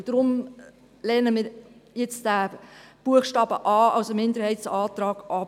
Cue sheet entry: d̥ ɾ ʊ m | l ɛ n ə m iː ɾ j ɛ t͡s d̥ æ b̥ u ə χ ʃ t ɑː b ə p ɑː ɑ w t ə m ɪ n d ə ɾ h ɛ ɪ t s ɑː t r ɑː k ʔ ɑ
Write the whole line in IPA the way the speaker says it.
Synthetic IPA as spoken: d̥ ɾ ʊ m | l ɛ n ə m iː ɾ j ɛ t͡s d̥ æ b̥ u ə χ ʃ t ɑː b ə ʔ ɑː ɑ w s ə m ɪ n d ə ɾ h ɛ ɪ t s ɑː t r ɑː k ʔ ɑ